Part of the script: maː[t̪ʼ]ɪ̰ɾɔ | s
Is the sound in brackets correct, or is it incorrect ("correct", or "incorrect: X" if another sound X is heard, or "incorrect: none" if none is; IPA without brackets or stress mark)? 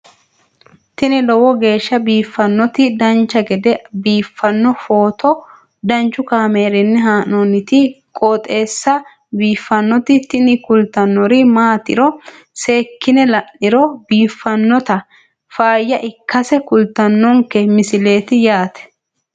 incorrect: t̪